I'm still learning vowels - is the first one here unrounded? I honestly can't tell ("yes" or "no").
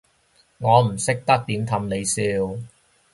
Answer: no